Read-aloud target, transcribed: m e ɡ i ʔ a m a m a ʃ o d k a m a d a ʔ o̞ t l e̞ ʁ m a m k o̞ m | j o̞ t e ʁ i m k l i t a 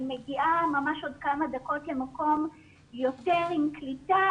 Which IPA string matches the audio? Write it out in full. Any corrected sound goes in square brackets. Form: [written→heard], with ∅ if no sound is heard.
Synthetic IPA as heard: m e ɡ i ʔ a m a m a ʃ o d k a m a d a [ʔ→k] o̞ t l e̞ [ʁ→∅] m a [m→∅] k o̞ m | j o̞ t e ʁ i m k l i t a